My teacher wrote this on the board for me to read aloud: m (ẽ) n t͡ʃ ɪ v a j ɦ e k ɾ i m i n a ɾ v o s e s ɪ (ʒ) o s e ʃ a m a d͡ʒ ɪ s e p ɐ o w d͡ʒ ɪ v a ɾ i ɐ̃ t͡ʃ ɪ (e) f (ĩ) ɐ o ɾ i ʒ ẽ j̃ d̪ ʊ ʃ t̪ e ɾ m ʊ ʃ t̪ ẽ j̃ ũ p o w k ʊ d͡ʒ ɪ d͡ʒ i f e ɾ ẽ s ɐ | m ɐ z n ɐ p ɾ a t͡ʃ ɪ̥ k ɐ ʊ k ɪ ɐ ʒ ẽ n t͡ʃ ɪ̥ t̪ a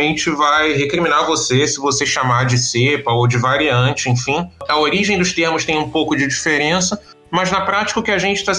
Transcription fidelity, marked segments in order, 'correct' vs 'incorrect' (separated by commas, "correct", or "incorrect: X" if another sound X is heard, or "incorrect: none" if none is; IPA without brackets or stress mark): correct, incorrect: v, incorrect: ẽ, correct